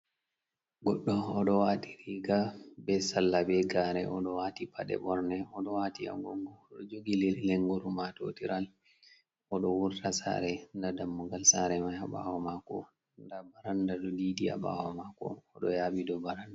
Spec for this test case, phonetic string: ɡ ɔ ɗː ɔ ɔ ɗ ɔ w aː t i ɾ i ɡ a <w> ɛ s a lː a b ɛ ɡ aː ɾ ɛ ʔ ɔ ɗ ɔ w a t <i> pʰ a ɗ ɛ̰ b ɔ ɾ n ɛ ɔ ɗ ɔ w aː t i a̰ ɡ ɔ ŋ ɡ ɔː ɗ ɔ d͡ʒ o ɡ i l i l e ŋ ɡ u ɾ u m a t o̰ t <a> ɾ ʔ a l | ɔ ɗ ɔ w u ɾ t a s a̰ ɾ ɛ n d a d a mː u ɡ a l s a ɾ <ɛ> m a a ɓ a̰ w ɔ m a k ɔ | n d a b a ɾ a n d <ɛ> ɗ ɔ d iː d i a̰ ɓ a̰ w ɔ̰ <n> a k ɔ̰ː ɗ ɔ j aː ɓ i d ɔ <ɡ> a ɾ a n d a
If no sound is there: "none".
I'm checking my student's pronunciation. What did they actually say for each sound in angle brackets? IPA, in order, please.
b, i, i, ɛ, a, m, b

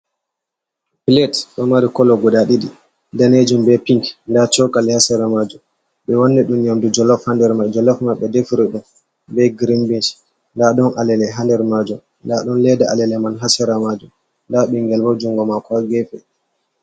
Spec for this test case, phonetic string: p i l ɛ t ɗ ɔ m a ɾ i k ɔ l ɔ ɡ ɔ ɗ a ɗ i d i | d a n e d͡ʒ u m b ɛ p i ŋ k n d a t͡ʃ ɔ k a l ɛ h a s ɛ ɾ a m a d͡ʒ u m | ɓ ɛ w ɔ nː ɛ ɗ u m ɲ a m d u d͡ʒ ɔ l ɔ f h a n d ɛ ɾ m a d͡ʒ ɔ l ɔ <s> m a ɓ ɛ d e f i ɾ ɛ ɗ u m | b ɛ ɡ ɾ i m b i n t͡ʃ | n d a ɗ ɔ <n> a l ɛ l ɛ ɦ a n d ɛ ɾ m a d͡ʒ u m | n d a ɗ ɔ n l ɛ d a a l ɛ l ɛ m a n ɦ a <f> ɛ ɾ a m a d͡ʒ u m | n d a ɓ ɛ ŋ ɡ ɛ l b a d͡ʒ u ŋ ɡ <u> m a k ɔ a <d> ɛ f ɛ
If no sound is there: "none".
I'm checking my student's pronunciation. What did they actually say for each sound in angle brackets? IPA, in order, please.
f, n, s, ɔ, ɡ

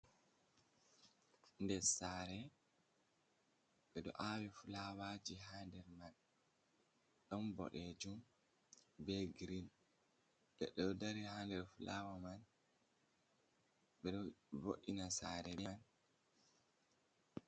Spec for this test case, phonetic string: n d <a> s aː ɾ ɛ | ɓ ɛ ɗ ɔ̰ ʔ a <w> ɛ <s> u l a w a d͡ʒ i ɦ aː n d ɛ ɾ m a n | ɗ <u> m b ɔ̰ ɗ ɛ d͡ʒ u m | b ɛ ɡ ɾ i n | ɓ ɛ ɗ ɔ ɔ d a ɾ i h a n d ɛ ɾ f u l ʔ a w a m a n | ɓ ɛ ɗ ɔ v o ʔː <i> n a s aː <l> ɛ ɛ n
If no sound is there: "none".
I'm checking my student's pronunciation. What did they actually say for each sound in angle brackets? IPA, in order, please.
ɛ, w, f, ɔ, i, ɾ

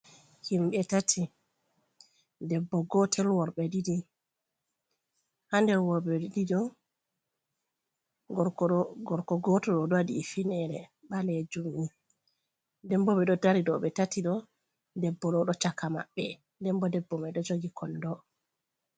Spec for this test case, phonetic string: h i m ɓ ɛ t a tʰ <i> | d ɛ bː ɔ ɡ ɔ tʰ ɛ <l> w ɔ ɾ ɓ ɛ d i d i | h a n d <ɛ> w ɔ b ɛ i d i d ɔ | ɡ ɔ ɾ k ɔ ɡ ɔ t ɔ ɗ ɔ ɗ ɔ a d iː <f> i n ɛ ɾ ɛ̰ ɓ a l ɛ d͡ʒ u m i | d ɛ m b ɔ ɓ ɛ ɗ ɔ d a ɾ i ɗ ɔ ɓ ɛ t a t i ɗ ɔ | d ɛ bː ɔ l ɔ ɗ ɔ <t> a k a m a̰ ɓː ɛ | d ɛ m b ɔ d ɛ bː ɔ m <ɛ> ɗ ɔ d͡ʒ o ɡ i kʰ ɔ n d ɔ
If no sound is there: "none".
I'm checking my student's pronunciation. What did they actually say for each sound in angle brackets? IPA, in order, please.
i, l, ɛ, f, t͡ʃ, ɛ

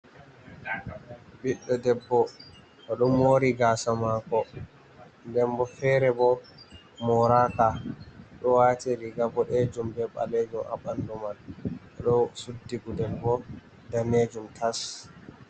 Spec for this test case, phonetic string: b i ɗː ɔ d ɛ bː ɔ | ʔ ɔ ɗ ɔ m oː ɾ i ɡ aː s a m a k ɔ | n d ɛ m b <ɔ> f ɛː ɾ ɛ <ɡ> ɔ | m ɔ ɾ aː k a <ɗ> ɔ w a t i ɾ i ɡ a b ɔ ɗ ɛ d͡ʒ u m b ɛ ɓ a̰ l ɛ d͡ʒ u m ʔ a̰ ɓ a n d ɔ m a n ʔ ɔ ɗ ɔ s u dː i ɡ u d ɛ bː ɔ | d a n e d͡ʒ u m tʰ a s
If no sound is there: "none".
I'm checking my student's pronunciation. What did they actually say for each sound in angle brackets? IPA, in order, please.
ɔ, b, ɗ

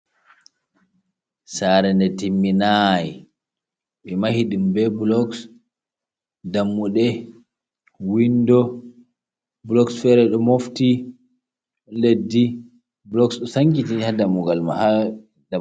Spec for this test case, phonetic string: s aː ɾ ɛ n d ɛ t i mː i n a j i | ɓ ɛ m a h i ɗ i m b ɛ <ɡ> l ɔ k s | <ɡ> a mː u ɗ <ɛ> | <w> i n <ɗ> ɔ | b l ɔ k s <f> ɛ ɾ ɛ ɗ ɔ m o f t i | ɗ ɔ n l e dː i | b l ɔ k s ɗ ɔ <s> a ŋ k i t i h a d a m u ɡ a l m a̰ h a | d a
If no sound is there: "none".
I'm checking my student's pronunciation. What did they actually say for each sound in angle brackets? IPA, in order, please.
b, d, ɛ, w, d, f, s

